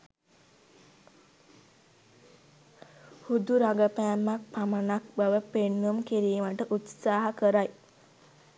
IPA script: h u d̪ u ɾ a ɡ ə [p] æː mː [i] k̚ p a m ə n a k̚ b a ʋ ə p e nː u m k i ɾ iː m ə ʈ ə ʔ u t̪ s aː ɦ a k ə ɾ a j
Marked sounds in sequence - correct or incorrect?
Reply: correct, incorrect

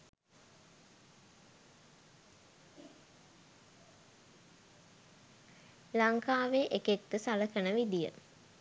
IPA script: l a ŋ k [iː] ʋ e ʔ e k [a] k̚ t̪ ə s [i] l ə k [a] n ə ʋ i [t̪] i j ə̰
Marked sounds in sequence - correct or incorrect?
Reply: incorrect, incorrect, incorrect, incorrect, incorrect

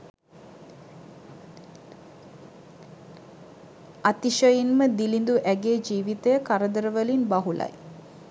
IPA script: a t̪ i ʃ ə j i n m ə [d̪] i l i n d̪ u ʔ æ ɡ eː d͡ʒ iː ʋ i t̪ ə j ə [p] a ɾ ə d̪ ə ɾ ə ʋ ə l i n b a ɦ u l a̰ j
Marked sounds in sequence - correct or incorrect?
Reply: correct, incorrect

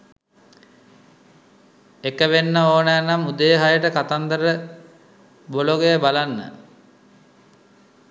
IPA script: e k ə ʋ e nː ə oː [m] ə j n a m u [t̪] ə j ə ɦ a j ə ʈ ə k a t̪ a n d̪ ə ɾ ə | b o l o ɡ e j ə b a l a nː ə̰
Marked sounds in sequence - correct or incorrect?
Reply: incorrect, incorrect

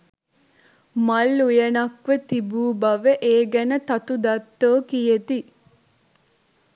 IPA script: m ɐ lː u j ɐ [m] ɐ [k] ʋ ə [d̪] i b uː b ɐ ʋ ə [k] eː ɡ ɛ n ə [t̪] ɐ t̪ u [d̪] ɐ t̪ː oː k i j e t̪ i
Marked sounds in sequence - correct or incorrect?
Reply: incorrect, correct, incorrect, incorrect, correct, correct

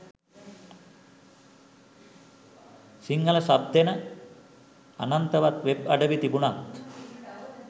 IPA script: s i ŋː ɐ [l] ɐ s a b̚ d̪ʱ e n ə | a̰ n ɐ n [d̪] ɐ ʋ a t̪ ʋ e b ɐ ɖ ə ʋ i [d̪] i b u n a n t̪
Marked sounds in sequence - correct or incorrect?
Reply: correct, incorrect, incorrect

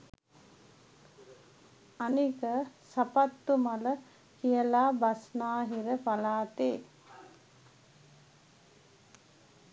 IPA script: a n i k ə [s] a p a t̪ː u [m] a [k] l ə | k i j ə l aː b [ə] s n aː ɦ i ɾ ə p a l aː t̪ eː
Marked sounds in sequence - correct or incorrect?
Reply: correct, correct, incorrect, incorrect

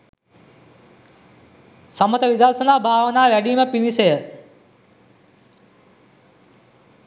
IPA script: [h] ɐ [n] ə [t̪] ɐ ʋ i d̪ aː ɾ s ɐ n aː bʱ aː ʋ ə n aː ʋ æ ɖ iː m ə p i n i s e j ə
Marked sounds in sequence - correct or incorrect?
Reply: incorrect, incorrect, correct

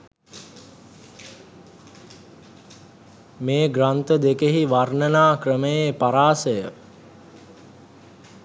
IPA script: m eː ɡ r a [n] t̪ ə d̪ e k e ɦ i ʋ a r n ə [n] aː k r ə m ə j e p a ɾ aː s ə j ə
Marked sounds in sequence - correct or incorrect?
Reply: correct, correct

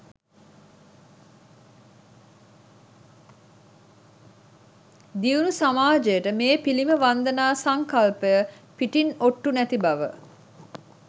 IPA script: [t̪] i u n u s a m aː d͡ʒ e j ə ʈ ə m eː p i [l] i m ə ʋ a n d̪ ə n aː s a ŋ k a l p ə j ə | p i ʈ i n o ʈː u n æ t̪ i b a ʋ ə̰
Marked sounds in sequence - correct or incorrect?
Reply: incorrect, correct

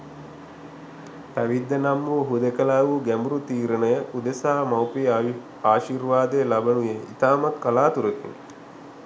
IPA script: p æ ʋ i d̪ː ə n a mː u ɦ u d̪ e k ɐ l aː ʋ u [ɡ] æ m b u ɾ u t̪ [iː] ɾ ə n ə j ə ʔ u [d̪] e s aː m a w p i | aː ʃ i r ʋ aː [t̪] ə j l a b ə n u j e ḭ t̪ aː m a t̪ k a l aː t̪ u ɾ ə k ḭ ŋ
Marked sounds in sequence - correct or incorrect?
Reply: correct, correct, correct, incorrect

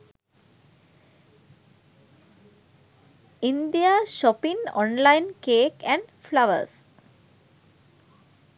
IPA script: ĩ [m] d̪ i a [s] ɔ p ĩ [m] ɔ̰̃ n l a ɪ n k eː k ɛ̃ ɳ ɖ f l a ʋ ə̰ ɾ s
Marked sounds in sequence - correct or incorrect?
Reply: incorrect, incorrect, incorrect

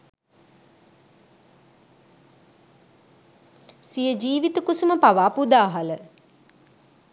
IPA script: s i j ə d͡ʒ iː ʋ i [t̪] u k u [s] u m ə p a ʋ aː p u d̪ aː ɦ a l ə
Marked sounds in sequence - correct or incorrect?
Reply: correct, correct

